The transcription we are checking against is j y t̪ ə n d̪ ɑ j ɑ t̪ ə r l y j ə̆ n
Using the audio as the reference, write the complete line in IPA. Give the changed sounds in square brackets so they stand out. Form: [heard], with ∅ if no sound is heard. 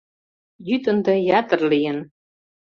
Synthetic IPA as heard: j y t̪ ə n d̪ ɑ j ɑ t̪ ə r l [i] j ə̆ n